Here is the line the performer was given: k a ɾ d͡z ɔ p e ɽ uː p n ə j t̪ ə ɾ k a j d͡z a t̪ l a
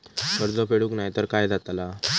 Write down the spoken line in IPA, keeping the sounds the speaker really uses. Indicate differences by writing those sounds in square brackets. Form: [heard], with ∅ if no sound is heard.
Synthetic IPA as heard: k [ə] ɾ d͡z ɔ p e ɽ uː [k] n [a] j t̪ ə ɾ k a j d͡z a t̪ l a